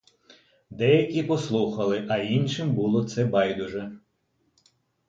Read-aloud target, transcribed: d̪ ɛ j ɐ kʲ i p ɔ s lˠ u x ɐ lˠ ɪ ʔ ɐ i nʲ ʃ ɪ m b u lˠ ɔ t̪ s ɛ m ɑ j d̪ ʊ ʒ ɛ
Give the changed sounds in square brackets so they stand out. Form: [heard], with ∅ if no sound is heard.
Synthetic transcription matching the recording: d̪ ɛ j ɐ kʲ i p ɔ s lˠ u x ɐ lˠ ɪ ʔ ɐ i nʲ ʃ ɪ m b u lˠ ɔ t̪ s ɛ [b] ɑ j d̪ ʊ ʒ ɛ